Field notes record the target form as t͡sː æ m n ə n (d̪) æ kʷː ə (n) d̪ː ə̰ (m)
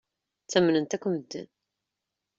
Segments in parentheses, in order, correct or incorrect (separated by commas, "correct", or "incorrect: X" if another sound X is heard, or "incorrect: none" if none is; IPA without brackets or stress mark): incorrect: t̪, incorrect: m, incorrect: n